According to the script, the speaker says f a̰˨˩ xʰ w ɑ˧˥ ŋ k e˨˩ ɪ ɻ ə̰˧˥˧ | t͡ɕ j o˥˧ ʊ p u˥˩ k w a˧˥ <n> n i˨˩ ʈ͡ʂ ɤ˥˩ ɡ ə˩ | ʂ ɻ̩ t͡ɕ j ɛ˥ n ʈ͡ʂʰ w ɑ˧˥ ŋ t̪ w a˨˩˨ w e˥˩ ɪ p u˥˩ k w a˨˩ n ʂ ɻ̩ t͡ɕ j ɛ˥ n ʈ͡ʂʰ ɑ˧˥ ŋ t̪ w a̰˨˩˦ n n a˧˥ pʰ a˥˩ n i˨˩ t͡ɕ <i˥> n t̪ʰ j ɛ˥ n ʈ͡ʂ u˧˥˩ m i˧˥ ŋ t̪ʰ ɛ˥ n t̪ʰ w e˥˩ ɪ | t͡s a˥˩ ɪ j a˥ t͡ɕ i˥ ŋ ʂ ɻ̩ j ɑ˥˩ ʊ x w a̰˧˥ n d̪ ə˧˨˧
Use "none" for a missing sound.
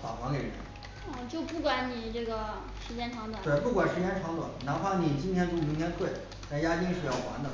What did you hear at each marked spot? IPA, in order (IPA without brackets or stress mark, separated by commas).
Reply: n, i˥